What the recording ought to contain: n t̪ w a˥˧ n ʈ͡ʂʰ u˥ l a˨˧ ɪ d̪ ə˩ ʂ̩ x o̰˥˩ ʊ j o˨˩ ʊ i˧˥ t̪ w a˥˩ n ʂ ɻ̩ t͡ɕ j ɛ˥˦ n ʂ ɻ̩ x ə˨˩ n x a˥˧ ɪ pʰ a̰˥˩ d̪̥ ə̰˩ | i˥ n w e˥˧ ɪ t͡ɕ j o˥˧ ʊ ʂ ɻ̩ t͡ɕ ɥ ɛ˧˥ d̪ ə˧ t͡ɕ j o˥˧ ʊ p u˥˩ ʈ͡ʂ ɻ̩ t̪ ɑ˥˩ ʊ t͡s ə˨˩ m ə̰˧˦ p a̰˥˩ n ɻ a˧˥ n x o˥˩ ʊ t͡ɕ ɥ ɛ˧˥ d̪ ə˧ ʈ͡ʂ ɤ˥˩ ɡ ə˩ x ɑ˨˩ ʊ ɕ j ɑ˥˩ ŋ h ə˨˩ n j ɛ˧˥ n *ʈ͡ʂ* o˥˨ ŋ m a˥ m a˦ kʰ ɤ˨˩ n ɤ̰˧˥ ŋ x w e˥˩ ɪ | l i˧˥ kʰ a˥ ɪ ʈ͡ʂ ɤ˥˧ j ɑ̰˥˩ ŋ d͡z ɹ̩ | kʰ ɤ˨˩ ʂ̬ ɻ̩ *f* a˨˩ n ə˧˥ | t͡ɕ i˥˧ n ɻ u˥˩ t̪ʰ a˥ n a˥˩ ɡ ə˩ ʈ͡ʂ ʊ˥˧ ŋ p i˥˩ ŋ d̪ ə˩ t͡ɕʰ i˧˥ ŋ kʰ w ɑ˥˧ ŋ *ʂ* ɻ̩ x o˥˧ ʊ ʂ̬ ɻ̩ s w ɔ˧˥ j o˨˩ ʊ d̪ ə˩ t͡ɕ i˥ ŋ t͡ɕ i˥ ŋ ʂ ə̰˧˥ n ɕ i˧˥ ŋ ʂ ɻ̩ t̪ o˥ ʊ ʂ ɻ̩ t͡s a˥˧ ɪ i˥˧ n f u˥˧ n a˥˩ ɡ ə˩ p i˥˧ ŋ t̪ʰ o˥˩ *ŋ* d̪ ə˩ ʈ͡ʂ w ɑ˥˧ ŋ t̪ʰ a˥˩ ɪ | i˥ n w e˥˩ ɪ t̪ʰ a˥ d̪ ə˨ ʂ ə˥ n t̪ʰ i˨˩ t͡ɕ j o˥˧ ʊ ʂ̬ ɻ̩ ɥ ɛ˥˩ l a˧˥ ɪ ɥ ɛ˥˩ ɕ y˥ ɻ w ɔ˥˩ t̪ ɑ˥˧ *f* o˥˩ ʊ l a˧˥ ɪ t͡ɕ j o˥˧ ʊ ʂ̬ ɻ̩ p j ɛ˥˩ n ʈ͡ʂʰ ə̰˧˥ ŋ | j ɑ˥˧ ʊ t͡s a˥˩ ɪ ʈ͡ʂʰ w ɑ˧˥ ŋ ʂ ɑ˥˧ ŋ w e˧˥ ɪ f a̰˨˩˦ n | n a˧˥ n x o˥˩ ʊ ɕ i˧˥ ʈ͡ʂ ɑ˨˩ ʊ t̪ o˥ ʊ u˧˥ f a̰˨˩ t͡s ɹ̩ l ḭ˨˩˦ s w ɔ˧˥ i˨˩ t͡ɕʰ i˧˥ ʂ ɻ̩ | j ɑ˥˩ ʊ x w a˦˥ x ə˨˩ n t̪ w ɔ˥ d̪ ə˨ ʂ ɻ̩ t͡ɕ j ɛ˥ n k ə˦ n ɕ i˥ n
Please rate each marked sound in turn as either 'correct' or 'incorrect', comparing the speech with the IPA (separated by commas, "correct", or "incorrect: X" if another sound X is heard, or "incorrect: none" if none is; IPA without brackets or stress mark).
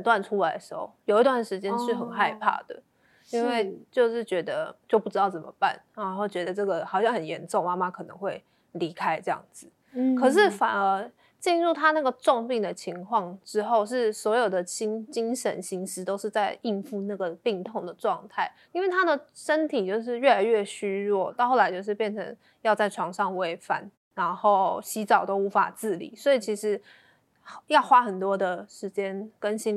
correct, correct, incorrect: ʈ͡ʂ, correct, incorrect: x